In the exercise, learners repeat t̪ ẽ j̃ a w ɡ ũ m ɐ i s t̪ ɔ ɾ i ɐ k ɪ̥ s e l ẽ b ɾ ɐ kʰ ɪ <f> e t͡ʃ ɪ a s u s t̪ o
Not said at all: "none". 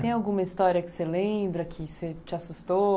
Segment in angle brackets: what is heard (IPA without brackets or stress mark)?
s